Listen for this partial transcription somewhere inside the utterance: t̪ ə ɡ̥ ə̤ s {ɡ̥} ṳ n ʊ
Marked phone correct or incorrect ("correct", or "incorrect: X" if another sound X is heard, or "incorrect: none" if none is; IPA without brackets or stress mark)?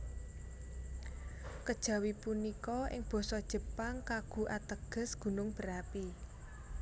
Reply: correct